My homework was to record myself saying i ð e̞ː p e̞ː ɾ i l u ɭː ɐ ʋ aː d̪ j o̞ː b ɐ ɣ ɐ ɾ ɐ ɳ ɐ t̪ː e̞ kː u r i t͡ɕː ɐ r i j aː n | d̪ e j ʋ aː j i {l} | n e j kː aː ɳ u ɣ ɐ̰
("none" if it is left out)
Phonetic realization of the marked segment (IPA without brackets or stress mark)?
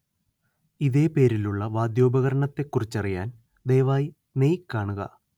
none